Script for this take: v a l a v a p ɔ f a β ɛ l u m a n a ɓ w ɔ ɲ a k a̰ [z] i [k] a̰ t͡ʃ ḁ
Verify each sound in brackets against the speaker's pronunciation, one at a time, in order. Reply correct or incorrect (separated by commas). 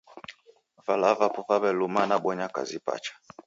correct, incorrect